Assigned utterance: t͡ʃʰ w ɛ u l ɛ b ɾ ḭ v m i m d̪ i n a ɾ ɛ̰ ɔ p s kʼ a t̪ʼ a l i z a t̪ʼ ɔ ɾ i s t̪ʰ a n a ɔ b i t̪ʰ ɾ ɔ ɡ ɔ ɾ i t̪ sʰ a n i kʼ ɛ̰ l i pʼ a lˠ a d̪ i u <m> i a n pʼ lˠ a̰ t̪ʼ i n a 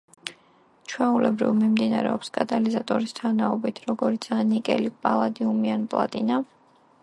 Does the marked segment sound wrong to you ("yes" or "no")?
no